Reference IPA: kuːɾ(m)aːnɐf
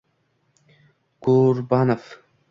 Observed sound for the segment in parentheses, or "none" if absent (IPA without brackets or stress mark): b